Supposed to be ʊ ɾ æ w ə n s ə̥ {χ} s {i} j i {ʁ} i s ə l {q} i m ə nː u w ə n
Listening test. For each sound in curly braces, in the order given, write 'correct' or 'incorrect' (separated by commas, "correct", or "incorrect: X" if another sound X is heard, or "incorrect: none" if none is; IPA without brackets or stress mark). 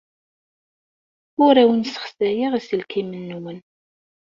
correct, incorrect: æ, correct, incorrect: k